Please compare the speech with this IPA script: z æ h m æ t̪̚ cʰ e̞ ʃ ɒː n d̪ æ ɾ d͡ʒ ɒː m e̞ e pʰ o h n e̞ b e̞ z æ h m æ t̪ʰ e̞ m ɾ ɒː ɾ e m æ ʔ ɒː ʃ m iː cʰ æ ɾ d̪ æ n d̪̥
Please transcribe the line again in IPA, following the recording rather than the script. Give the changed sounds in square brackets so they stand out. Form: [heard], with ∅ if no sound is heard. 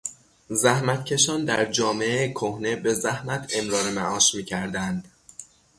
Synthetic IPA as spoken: z æ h m æ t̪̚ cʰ e̞ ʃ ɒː n d̪ æ ɾ d͡ʒ ɒː m e̞ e [kʰ] o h n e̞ b e̞ z æ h m æ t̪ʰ e̞ m ɾ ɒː ɾ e m æ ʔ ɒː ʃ m iː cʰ æ ɾ d̪ æ n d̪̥